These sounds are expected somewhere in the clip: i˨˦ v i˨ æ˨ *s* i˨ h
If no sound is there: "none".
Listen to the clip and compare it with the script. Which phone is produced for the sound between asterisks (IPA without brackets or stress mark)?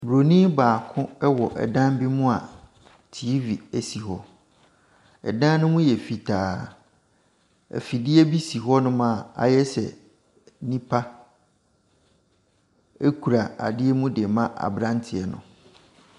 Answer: s